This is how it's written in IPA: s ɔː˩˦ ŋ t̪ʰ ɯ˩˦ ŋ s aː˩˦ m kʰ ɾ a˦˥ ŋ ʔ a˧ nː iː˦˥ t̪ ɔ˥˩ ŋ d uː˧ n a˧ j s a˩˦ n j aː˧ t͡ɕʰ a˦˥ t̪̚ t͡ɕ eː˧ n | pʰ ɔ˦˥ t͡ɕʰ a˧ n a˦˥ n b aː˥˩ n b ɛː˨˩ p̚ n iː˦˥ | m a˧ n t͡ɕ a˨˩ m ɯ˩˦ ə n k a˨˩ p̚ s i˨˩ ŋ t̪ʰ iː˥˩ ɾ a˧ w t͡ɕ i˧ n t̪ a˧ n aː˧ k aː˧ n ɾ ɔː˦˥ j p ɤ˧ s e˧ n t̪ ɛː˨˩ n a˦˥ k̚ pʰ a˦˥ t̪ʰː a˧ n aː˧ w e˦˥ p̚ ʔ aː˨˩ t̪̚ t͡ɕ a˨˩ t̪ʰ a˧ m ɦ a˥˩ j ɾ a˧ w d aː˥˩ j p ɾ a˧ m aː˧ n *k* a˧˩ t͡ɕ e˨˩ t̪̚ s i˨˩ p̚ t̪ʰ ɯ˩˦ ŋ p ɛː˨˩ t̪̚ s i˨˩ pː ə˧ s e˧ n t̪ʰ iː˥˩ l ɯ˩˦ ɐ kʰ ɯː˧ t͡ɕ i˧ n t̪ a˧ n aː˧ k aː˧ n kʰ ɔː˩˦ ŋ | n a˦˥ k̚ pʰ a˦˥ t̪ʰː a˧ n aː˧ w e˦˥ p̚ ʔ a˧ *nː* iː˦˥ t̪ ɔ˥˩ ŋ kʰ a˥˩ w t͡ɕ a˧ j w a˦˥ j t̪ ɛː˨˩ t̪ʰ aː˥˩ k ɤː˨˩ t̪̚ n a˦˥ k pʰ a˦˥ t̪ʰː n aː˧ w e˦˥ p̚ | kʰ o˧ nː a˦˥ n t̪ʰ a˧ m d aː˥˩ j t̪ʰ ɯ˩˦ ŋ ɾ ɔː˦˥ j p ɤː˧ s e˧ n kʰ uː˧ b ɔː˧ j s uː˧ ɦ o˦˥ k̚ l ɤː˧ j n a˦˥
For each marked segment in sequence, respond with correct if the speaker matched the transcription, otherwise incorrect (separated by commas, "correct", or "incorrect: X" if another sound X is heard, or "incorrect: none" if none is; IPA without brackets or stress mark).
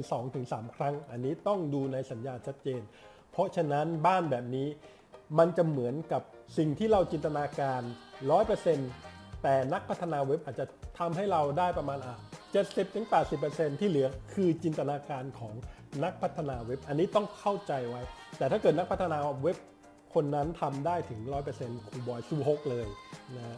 incorrect: ʔ, correct